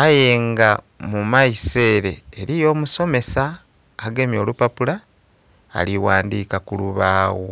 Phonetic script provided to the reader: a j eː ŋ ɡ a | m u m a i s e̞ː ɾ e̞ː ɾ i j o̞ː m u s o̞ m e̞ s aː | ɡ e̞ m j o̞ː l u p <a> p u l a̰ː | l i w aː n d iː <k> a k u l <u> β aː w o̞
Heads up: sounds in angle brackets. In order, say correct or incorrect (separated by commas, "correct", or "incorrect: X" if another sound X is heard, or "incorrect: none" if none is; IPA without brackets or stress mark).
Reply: correct, correct, correct